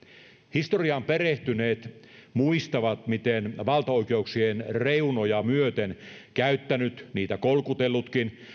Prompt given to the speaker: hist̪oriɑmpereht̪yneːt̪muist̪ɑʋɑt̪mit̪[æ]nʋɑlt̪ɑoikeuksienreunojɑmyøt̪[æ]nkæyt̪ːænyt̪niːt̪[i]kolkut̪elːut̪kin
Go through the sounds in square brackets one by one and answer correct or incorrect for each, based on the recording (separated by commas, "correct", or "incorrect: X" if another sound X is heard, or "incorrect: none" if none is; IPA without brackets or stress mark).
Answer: incorrect: e, incorrect: e, incorrect: æ